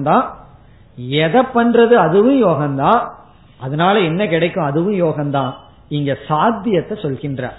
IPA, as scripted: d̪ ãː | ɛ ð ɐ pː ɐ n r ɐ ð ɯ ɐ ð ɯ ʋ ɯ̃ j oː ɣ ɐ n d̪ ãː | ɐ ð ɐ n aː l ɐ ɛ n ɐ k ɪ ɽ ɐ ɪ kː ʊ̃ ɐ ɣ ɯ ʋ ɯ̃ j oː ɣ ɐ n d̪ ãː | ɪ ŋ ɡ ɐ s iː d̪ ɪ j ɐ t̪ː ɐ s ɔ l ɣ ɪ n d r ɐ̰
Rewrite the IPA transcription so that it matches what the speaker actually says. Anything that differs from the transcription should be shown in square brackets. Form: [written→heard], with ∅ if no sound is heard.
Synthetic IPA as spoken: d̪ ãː | ɛ ð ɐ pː ɐ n r ɐ ð ɯ ɐ ð ɯ ʋ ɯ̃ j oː ɣ ɐ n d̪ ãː | ɐ ð ɐ n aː l ɐ ɛ [n→nː] ɐ k ɪ ɽ ɐ ɪ kː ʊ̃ ɐ [ɣ→ð] ɯ ʋ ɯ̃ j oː ɣ ɐ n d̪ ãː | ɪ ŋ ɡ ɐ s [iː→aː] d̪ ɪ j ɐ t̪ː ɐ s ɔ l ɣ ɪ n d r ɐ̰